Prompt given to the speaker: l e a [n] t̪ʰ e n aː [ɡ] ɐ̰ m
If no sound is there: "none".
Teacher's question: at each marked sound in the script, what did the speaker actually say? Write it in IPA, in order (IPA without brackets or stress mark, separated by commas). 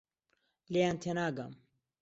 n, ɡ